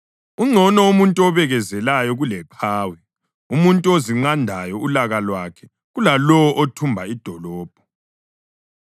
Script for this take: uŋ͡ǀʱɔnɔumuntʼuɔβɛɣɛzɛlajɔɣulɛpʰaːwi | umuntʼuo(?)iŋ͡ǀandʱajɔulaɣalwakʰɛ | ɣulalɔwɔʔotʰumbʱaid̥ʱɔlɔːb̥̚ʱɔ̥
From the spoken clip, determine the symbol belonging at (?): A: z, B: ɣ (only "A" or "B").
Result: A